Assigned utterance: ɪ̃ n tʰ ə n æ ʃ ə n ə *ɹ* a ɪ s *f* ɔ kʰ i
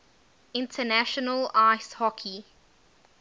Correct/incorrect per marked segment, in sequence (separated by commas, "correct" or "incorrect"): incorrect, incorrect